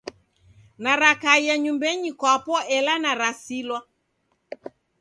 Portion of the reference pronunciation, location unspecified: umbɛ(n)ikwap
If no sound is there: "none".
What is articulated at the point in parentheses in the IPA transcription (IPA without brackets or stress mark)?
ɲ